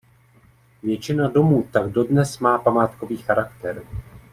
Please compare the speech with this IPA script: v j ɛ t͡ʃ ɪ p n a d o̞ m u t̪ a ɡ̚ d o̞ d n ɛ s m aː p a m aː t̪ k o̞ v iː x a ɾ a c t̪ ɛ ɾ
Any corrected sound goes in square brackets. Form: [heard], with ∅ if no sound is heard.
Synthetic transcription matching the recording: v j ɛ t͡ʃ ɪ [∅] n a d o̞ m [uː] t̪ a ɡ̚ d o̞ d n ɛ s m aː p a m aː t̪ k o̞ v iː x a ɾ a [k] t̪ ɛ ɾ